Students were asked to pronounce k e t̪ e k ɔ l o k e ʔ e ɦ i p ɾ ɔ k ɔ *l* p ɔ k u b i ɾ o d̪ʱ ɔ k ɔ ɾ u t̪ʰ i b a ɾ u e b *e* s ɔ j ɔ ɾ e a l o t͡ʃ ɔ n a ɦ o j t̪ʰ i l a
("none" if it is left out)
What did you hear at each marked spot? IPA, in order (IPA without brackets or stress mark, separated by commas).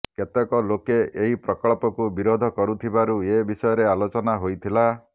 ɭ, i